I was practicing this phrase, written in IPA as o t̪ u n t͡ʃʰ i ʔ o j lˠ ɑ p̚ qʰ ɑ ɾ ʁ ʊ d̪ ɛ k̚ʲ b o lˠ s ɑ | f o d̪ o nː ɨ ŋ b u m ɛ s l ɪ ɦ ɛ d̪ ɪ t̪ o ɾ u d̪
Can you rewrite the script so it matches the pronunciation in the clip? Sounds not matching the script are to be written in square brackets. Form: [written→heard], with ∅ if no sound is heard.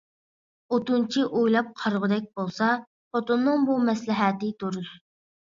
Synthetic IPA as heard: o t̪ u n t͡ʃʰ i ʔ o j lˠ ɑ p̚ qʰ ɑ ɾ ʁ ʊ d̪ ɛ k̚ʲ b o lˠ s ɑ | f o [d̪→t̪] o nː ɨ ŋ b u m ɛ s l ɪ ɦ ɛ [d̪→t̪] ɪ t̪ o ɾ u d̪

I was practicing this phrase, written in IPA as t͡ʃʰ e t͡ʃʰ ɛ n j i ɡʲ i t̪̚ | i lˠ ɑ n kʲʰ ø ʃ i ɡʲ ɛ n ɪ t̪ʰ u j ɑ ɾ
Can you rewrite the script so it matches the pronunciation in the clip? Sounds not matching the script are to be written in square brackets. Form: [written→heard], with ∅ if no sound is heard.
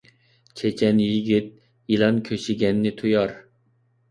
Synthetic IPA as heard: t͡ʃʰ e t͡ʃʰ ɛ n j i ɡʲ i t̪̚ | i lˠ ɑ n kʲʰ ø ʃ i ɡʲ ɛ [n→nː] ɪ t̪ʰ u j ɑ ɾ

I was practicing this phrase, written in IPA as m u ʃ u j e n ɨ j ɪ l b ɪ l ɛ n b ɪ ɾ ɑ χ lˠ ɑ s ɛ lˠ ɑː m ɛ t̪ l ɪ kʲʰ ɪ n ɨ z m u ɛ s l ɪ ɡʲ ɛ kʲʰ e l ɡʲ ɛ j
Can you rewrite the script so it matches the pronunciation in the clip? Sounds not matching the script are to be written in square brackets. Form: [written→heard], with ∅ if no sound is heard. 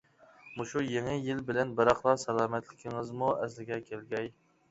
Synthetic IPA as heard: m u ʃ u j e [n→ŋ] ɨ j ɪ l b ɪ l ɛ n b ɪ ɾ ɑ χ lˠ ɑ s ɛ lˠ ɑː m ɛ t̪ l ɪ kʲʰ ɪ [n→ŋ] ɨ z m u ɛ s l ɪ ɡʲ ɛ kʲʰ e l ɡʲ ɛ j

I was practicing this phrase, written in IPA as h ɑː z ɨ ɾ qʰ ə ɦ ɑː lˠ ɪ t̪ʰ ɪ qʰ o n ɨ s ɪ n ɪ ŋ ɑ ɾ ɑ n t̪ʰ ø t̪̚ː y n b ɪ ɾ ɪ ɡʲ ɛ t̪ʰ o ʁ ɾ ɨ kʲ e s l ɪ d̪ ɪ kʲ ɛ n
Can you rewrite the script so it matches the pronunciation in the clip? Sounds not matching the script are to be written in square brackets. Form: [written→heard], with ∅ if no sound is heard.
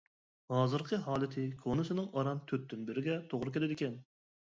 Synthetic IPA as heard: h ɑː z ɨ ɾ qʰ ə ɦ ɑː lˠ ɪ t̪ʰ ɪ [qʰ→kʰ] o n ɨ s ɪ n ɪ ŋ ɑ ɾ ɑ n t̪ʰ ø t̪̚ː y n b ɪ ɾ ɪ ɡʲ ɛ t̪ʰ o ʁ ɾ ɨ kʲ e [s→∅] l ɪ d̪ ɪ kʲ ɛ n

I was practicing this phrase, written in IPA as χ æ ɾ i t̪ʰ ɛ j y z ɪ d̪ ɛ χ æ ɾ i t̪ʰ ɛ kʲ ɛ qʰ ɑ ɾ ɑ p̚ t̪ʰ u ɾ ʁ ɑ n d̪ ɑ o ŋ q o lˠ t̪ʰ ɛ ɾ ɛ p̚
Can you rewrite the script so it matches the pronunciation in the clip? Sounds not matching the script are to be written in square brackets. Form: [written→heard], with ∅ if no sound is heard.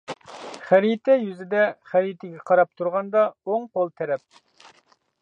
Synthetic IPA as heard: χ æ ɾ i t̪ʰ ɛ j y z ɪ d̪ ɛ χ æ ɾ i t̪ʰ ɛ [kʲ→ɡʲ] ɛ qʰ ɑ ɾ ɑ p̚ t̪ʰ u ɾ ʁ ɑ n d̪ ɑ o ŋ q o lˠ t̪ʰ ɛ ɾ ɛ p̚

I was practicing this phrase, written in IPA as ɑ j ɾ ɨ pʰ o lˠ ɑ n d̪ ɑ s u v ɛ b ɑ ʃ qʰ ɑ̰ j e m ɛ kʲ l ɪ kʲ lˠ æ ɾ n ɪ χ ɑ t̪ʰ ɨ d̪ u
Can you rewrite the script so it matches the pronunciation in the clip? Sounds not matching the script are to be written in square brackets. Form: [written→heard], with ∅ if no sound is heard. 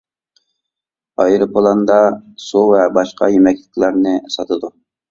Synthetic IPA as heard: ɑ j ɾ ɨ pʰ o lˠ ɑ n d̪ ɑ s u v ɛ b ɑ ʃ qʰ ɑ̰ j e m ɛ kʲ l ɪ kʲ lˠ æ ɾ n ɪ [χ→s] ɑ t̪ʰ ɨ d̪ u

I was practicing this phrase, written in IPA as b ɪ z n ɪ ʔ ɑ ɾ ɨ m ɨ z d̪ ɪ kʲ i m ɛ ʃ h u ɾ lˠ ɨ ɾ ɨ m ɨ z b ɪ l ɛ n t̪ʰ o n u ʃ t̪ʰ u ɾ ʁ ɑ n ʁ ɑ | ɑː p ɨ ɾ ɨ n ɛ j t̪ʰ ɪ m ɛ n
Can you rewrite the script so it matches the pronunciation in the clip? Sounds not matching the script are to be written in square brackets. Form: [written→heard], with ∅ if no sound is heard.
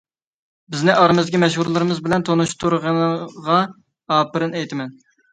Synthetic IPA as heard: b ɪ z n ɪ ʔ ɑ ɾ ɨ m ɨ z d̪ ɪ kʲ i m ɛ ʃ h u ɾ lˠ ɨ ɾ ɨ m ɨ z b ɪ l ɛ n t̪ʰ o n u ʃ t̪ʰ u ɾ ʁ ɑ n ʁ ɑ | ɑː p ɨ ɾ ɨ n ɛ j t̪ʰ ɪ m ɛ n

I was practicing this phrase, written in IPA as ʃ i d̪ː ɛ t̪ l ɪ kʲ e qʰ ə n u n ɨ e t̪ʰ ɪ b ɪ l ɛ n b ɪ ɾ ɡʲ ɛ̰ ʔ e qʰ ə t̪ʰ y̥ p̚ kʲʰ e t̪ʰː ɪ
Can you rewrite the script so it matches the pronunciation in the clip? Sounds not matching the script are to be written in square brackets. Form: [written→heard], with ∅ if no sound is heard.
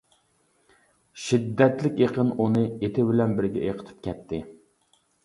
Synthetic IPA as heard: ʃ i d̪ː ɛ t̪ l ɪ kʲ e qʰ ə n u n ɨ e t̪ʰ ɪ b ɪ l ɛ n b ɪ ɾ ɡʲ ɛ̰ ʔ e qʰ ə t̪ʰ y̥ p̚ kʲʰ [e→ɛ] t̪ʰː ɪ

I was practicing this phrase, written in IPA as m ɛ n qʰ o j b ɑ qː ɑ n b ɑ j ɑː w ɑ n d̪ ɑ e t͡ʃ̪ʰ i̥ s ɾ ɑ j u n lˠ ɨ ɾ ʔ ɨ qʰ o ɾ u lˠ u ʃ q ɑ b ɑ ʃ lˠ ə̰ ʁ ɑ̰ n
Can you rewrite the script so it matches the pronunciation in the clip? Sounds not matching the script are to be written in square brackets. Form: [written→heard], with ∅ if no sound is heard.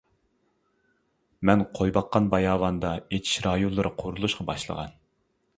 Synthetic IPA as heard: m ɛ n qʰ o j b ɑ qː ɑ n b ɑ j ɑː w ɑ n d̪ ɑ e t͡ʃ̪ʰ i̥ [s→ʃ] ɾ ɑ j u n lˠ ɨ ɾ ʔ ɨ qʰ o ɾ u lˠ u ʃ q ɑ b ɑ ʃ lˠ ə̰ ʁ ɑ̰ n

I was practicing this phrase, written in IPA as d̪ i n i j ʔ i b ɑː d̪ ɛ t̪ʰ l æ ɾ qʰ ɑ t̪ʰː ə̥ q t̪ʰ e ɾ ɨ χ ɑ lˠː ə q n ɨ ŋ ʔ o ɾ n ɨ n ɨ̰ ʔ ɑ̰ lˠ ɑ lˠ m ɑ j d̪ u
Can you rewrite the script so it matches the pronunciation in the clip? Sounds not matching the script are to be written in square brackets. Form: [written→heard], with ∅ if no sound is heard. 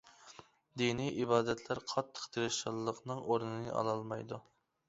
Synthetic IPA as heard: d̪ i n i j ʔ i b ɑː d̪ ɛ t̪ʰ l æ ɾ qʰ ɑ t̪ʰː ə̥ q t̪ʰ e ɾ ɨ [χ→ʃ] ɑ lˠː ə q n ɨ ŋ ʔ o ɾ n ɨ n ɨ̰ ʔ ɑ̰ lˠ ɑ lˠ m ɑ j d̪ u

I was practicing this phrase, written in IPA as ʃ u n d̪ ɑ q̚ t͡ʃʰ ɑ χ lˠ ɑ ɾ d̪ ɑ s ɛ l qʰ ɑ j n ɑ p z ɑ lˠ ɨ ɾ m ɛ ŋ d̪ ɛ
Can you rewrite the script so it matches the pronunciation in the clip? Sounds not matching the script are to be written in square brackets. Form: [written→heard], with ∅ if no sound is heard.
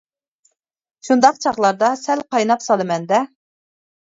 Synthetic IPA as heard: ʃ u n d̪ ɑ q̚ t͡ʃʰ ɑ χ lˠ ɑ ɾ d̪ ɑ s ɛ l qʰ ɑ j n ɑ p [z→s] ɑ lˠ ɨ [ɾ→∅] m ɛ [ŋ→n] d̪ ɛ

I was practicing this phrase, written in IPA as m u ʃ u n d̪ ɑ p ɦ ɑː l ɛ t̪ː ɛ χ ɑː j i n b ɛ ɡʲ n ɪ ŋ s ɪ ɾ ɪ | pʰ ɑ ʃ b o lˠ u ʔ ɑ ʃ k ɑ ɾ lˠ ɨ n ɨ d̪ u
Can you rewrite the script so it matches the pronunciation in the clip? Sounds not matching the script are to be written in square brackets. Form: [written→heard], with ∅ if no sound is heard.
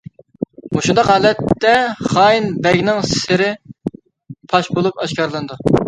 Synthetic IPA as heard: m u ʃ u n d̪ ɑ [p→q] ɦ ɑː l ɛ t̪ː ɛ χ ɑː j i n b ɛ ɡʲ n ɪ ŋ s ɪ ɾ ɪ | pʰ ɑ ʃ b o lˠ u [ʔ→p] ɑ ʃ k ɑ ɾ lˠ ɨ n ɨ d̪ u

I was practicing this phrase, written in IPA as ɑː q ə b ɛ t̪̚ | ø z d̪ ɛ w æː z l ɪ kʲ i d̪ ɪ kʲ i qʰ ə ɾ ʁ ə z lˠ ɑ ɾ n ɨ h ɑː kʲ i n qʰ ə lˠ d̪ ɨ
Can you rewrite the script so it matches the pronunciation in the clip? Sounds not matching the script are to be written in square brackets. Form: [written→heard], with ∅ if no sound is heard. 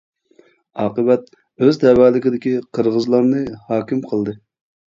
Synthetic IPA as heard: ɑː q ə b ɛ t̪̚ | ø z d̪ ɛ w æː [z→∅] l ɪ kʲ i d̪ ɪ kʲ i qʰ ə ɾ ʁ ə z lˠ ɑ ɾ n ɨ h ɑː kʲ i [n→m] qʰ ə lˠ d̪ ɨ

